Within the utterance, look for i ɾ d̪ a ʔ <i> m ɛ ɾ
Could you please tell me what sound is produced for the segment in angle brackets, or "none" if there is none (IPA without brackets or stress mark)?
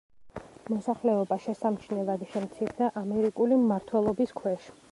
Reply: a